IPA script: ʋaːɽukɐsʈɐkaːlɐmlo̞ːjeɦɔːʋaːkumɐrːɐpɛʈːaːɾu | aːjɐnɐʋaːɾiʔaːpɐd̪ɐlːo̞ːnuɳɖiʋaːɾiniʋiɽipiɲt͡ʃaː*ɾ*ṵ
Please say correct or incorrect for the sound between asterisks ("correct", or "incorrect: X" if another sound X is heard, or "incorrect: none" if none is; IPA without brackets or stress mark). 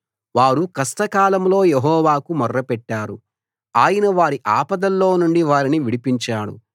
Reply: incorrect: ɽ